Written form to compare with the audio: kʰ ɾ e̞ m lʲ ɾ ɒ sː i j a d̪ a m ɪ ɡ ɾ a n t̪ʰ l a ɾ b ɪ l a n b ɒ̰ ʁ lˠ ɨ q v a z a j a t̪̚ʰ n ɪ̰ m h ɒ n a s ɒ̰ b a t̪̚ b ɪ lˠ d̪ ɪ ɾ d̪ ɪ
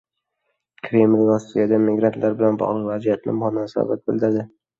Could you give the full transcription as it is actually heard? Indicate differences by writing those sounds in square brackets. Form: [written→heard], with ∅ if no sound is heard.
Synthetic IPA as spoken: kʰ ɾ e̞ m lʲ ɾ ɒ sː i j a d̪ a m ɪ ɡ ɾ a n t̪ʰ l a ɾ b ɪ l a n b ɒ̰ ʁ lˠ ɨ q v a z [a→i] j a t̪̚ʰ n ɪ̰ m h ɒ n a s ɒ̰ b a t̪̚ b ɪ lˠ d̪ ɪ ɾ d̪ ɪ